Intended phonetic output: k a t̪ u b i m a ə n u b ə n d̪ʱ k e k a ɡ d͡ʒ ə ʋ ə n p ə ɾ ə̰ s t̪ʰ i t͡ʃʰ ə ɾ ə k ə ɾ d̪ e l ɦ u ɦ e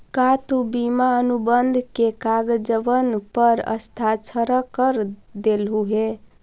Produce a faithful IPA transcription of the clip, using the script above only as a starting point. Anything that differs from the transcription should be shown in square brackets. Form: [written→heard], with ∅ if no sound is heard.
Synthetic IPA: k a t̪ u b i m a ə n u b ə n d̪ʱ k e k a ɡ d͡ʒ ə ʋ ə n p ə ɾ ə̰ s t̪ʰ [i→a] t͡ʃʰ ə ɾ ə k ə ɾ d̪ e l ɦ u ɦ e